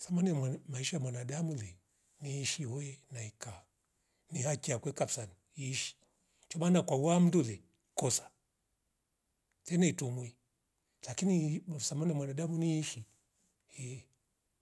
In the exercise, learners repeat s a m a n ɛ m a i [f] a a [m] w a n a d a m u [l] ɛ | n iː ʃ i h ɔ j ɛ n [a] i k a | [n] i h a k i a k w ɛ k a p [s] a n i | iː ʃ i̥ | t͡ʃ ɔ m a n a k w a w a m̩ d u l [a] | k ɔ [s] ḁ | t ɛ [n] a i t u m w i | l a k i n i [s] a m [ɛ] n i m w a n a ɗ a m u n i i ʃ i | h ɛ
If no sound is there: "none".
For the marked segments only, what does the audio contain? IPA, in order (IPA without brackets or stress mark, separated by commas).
ʃ, m, l, a, n, s, ɛ, s, n, s, a